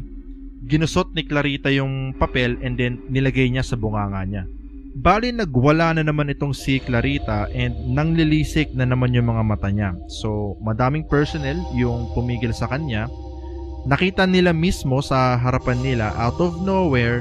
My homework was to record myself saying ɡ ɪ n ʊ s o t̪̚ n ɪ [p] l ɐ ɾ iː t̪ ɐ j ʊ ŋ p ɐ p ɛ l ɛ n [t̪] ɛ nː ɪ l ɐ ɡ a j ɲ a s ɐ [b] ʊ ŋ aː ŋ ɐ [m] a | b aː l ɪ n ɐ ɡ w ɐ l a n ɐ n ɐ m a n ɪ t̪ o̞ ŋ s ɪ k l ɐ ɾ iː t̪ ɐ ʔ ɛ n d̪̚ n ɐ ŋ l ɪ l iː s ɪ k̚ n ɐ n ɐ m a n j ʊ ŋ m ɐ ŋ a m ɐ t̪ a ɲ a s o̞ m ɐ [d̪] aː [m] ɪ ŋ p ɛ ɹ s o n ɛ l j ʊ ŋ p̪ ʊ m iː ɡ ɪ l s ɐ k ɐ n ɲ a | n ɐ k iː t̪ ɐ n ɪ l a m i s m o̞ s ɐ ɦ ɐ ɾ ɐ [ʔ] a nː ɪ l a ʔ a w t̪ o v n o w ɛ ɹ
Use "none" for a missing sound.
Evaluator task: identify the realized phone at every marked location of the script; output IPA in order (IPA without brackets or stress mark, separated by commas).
k, d̪, b, ɲ, d̪, m, p